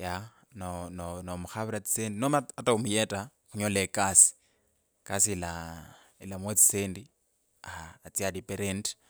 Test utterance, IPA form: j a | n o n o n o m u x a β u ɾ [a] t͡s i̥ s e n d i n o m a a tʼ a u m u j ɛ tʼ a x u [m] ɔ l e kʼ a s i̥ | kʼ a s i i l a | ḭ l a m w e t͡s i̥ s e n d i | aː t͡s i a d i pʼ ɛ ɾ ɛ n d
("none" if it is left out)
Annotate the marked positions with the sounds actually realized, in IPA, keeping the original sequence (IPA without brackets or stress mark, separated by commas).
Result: a, ɲ